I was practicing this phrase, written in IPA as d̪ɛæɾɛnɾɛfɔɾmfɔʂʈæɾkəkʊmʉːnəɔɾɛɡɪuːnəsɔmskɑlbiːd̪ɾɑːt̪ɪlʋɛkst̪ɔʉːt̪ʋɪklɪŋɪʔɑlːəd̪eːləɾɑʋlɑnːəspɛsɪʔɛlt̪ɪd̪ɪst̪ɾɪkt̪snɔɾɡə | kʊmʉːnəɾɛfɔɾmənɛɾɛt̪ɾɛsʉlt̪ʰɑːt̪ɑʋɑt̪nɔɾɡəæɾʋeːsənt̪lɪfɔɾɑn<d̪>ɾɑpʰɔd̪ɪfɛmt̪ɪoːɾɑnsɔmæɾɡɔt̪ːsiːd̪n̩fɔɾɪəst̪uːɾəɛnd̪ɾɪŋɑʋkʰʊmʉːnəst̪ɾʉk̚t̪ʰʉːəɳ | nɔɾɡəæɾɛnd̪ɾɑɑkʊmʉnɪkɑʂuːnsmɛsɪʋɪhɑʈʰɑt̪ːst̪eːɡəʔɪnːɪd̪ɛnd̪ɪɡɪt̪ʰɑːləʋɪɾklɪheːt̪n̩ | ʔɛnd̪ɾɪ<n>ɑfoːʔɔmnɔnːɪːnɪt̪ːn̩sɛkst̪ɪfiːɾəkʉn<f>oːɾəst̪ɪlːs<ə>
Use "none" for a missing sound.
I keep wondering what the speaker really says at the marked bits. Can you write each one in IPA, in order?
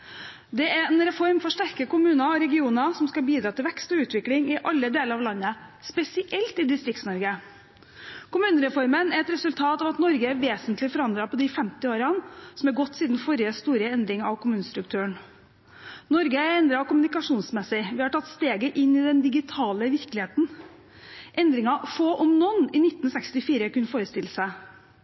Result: d̪, ŋ, f, ə

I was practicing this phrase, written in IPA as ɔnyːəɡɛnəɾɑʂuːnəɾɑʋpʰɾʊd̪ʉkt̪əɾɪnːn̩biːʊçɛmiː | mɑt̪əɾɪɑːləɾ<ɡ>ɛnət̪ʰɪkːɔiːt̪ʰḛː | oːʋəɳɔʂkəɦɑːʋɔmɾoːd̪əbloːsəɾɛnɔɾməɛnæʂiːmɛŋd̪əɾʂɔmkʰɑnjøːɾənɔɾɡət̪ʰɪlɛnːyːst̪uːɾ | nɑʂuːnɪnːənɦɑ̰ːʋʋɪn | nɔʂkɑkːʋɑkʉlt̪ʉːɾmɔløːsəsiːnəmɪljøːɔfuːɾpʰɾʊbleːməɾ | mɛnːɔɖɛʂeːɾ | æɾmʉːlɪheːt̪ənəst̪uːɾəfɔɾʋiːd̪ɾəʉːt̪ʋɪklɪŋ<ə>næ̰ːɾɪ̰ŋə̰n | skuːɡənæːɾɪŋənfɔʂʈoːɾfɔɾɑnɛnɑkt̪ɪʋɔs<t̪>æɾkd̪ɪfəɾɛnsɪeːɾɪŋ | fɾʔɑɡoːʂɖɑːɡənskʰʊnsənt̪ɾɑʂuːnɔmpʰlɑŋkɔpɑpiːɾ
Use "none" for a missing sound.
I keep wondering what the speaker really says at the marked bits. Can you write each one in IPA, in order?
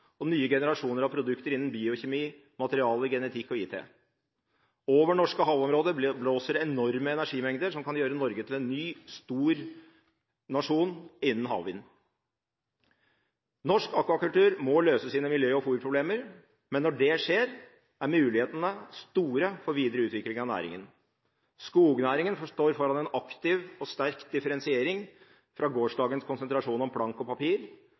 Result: ɡ, ɑ, t̪

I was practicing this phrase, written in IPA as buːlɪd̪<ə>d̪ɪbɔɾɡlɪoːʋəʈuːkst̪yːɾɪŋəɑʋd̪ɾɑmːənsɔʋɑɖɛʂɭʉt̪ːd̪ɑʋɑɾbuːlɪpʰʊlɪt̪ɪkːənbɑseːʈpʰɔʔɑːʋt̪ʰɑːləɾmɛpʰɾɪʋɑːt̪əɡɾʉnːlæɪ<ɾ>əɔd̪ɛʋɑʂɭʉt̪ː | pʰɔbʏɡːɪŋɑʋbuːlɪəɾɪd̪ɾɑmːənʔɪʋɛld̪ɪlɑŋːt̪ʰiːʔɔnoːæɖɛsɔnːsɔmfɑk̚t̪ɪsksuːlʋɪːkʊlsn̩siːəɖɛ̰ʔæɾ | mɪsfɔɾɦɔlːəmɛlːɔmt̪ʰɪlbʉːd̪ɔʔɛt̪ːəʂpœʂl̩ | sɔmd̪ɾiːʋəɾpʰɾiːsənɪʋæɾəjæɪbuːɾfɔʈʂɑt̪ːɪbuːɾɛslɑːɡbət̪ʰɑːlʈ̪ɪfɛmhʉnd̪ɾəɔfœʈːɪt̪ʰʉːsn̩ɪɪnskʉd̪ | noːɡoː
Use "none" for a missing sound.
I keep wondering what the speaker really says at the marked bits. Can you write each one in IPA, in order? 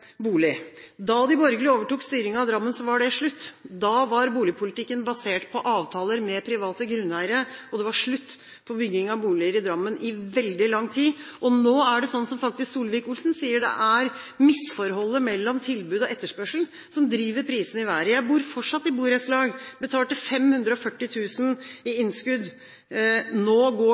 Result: ɑ, ɾ

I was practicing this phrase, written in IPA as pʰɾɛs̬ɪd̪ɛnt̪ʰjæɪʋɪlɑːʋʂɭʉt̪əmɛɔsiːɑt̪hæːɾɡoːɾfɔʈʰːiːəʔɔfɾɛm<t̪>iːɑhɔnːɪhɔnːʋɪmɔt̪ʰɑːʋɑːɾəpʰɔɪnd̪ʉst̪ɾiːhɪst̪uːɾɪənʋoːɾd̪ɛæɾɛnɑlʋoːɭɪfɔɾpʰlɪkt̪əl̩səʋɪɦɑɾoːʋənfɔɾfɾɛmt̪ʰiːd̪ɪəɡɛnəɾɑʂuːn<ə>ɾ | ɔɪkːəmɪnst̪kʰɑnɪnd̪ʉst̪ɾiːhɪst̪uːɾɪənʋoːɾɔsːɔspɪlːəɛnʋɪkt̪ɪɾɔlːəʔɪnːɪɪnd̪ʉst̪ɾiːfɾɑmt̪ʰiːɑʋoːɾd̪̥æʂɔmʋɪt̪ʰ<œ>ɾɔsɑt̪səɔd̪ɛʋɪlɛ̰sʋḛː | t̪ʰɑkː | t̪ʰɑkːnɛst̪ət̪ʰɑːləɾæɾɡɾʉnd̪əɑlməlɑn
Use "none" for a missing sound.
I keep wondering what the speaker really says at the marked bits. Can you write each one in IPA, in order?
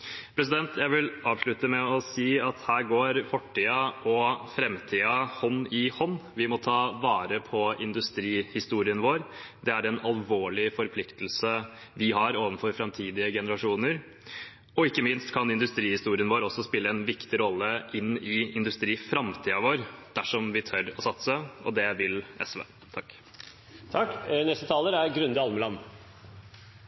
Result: t̪ʰ, ə, œ

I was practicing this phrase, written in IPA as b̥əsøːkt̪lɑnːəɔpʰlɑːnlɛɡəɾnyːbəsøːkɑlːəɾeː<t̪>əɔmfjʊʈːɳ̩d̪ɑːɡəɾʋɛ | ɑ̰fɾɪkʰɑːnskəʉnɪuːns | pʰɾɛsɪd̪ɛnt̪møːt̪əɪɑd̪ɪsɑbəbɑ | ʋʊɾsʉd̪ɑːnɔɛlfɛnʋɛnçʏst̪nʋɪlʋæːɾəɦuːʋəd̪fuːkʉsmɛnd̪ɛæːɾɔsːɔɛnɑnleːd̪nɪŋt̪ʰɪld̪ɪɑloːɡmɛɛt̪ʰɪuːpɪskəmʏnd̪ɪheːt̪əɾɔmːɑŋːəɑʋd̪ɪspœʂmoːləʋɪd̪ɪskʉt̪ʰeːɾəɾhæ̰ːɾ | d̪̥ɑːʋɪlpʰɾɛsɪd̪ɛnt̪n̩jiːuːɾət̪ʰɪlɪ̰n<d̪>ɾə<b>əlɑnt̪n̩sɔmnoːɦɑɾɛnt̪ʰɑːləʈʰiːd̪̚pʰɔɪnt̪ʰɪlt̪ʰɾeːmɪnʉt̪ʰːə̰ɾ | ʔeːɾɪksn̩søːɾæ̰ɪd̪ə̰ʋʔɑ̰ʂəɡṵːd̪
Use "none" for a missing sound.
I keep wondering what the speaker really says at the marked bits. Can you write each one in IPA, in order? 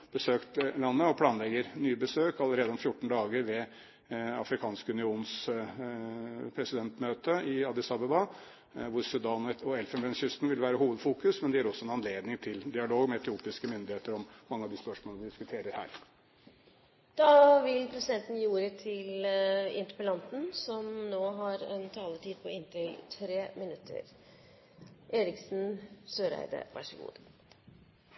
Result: d̪, t̪, p

